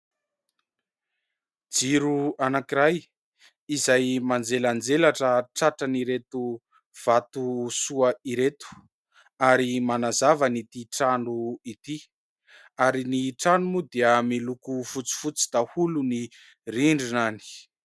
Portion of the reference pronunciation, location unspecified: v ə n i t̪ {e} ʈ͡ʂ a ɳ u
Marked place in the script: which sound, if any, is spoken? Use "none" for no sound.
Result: i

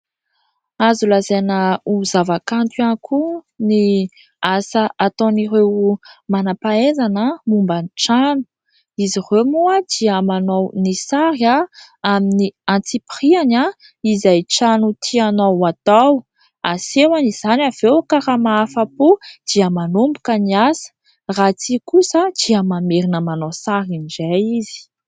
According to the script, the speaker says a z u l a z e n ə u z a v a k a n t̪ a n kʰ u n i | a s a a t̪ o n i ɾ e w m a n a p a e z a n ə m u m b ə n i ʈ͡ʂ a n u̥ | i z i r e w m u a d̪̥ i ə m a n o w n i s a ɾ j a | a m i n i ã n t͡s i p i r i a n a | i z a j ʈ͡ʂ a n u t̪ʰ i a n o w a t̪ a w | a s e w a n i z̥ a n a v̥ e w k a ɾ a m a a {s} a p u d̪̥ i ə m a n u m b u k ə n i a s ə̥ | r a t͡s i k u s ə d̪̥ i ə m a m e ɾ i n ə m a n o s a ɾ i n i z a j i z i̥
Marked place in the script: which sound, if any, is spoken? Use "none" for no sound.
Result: f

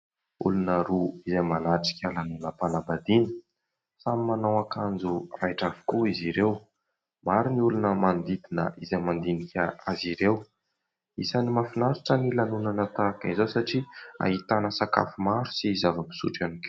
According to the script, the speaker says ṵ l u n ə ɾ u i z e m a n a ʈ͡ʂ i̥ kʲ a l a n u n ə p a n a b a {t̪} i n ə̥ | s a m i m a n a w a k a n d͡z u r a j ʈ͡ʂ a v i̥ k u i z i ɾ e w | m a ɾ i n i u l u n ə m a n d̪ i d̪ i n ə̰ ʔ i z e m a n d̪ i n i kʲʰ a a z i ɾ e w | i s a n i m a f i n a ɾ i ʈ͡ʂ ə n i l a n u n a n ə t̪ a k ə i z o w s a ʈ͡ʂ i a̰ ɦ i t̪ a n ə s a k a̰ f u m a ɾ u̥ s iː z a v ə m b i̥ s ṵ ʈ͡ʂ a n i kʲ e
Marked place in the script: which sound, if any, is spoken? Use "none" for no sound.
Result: d̪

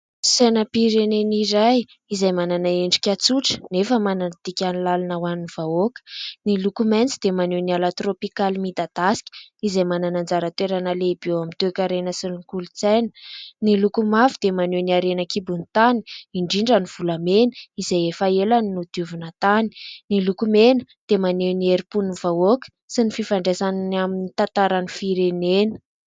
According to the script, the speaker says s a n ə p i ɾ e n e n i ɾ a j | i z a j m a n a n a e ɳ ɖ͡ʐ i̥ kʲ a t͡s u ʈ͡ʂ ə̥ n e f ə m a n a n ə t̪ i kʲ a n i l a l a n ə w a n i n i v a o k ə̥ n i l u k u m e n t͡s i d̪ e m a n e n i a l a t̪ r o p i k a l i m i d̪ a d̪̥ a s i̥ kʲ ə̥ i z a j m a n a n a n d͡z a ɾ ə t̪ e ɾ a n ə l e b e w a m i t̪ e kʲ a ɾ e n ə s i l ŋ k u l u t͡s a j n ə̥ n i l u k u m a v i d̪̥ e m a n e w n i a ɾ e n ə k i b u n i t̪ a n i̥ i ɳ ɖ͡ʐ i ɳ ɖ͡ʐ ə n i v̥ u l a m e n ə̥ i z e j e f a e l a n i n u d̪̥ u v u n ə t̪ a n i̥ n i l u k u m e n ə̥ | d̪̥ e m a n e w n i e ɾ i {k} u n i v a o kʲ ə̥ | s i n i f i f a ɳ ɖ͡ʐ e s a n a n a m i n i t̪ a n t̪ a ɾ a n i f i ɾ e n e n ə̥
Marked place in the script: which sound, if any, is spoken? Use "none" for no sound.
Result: p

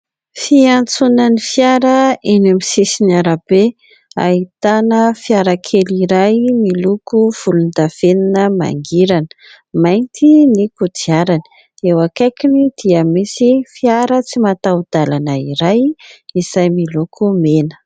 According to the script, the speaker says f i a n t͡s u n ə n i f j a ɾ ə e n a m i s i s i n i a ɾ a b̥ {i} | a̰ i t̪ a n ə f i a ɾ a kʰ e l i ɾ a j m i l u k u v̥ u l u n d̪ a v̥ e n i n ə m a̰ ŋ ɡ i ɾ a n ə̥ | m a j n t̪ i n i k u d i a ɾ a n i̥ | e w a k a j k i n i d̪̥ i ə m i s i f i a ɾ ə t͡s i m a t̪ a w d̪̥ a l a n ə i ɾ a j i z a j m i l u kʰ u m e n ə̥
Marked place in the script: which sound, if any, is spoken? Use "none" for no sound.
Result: e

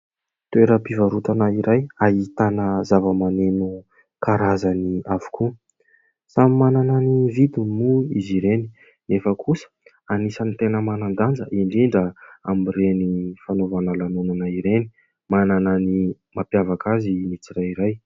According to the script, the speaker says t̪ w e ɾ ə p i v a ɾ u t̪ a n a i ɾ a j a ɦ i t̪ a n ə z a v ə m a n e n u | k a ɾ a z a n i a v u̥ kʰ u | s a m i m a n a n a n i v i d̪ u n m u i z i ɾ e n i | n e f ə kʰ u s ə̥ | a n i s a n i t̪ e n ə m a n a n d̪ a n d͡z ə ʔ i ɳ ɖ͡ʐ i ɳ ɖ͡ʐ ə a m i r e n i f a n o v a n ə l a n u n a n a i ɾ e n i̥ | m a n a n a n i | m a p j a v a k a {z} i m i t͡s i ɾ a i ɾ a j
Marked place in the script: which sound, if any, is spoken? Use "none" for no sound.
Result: z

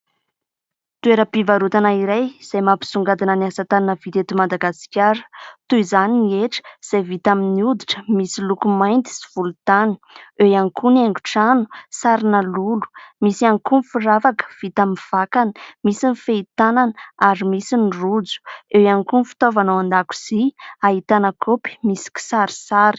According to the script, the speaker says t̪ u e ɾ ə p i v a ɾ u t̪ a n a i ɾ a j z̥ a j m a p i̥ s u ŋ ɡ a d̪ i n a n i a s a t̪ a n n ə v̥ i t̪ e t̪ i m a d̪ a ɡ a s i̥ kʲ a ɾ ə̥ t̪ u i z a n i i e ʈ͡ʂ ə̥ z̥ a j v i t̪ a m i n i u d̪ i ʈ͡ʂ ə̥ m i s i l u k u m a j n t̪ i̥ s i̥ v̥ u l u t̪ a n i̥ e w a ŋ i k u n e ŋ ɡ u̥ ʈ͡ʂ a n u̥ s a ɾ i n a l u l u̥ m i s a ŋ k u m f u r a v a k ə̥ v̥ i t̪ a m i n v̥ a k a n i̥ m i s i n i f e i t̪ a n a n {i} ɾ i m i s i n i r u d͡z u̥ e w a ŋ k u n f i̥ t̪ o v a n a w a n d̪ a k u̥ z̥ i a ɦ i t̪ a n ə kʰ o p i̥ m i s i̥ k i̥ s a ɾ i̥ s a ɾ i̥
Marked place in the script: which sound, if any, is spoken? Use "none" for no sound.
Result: a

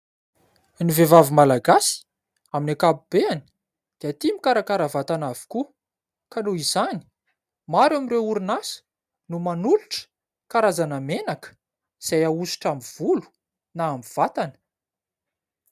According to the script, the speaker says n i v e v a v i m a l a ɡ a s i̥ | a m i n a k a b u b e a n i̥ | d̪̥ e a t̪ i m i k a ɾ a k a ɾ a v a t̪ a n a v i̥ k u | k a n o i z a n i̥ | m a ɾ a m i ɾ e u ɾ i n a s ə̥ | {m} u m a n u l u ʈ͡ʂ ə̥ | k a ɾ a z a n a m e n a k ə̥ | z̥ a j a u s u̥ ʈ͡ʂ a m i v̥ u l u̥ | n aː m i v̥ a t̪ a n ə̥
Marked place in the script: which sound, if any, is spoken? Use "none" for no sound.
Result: n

